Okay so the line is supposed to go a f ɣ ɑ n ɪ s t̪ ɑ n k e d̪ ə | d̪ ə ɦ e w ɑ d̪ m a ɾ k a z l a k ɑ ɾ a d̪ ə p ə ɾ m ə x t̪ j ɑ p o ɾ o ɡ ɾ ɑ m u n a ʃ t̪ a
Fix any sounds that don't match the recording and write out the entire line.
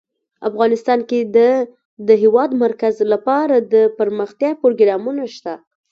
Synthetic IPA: a f ɣ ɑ n ɪ s t̪ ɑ n k e d̪ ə | d̪ ə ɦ e w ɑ d̪ m a ɾ k a z l a p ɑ ɾ a d̪ ə p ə ɾ m ə x t̪ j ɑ p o ɾ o ɡ ɾ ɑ m u n a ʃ t̪ a